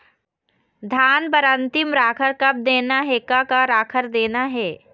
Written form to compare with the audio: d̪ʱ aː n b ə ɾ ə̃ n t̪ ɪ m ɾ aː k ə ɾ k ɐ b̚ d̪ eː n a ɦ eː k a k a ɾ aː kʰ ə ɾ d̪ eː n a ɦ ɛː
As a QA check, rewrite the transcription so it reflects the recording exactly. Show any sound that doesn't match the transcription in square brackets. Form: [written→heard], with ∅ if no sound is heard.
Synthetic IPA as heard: d̪ʱ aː n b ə ɾ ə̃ n t̪ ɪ m ɾ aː [k→kʰ] ə ɾ k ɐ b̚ d̪ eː n a ɦ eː k a k a ɾ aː kʰ ə ɾ d̪ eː n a ɦ ɛː